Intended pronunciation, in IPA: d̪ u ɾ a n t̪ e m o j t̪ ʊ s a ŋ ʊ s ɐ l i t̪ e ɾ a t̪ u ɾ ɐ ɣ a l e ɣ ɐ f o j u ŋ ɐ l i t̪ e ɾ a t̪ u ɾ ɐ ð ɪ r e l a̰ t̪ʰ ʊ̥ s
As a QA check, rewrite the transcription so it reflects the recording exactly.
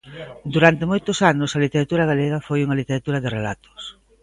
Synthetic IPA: d̪ u ɾ a n t̪ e m o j t̪ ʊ s a n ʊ s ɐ l i t̪ e ɾ a t̪ u ɾ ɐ ɣ a l e ɣ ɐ f o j u ŋ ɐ l i t̪ e ɾ a t̪ u ɾ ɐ ð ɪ r e l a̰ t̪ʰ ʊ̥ s

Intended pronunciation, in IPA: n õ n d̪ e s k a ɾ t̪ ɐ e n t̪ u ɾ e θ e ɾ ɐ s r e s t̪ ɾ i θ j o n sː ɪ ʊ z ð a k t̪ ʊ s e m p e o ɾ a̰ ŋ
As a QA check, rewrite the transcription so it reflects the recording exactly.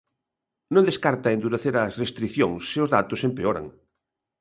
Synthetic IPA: n õ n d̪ e s k a ɾ t̪ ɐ e n d̪ u ɾ e θ e ɾ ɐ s r e s t̪ ɾ i θ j o ŋ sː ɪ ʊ z ð a t̪ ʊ s e m p e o ɾ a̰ ŋ

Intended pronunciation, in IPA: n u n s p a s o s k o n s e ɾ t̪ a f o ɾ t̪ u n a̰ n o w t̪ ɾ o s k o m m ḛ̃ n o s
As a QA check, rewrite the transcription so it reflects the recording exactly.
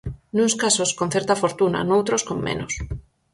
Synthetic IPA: n u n s k a s o s k o n θ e ɾ t̪ a f o ɾ t̪ u n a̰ n o w t̪ ɾ o s k o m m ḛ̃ n o s

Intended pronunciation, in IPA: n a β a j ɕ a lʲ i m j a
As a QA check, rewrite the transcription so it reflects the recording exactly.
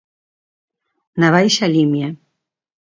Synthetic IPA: n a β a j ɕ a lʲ i m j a

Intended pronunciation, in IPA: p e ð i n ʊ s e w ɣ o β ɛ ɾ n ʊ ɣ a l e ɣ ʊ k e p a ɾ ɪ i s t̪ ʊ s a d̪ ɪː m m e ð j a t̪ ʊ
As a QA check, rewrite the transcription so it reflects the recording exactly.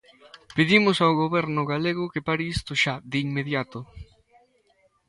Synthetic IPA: p e ð i m ʊ s a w ɣ o β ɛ ɾ n ʊ ɣ a l e ɣ ʊ k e p a ɾ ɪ i s t̪ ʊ ʃ a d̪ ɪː ŋ m e ð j a t̪ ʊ

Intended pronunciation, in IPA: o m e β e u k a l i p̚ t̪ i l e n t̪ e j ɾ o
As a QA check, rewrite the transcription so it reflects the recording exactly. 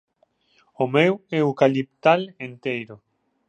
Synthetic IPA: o m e w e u k a l i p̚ t̪ a l e n t̪ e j ɾ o

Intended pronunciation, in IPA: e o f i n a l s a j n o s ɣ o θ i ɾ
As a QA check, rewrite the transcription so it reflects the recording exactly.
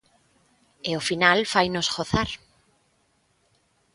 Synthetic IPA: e o f i n a l f a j n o s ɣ o θ a ɾ

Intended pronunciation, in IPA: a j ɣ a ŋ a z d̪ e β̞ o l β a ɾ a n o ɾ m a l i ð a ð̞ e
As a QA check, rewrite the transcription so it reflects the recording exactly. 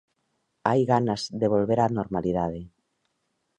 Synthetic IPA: a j ɣ a n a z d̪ e β̞ o l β e ɾ a n o ɾ m a l i ð a ð̞ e

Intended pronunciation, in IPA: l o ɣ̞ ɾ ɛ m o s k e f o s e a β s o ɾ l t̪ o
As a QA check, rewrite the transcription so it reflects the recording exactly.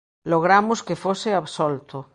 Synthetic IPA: l o ɣ̞ ɾ a m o s k e f o s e a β s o l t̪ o

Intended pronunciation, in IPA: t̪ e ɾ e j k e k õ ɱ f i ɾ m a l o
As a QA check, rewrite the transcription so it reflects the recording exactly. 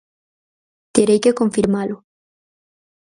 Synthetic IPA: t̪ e ɾ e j k e k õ ɱ f i ɾ m a l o

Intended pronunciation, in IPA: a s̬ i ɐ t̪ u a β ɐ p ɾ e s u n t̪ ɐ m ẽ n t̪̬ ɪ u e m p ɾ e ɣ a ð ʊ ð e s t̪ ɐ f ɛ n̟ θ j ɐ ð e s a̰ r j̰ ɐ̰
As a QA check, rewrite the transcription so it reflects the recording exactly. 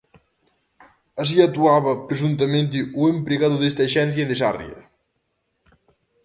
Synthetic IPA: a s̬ i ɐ t̪ u a β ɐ p ɾ e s u n t̪ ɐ m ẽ n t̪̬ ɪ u e m p ɾ e ɣ a ð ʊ ð e s t̪ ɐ ʃ ɛ n̟ θ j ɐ ð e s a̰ r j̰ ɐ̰

